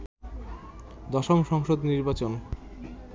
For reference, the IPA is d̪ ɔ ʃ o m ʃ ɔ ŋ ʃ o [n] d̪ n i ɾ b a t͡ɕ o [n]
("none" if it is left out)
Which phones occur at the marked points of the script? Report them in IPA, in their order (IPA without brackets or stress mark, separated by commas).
none, n